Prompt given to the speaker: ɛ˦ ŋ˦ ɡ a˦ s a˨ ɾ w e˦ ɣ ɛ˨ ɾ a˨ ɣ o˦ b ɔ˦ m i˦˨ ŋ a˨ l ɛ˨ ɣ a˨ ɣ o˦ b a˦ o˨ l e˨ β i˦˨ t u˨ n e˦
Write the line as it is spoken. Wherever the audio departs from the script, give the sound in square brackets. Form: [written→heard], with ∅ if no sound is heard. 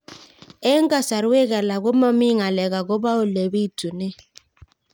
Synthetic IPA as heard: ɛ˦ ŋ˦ ɡ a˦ s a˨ ɾ w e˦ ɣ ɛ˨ [ɾ→l] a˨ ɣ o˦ [b→m] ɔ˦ m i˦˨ ŋ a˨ l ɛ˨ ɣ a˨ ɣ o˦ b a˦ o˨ l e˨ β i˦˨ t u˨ n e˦